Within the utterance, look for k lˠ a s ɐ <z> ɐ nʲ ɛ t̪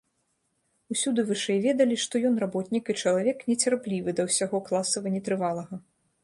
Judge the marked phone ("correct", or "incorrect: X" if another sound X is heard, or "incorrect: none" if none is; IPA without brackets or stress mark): incorrect: v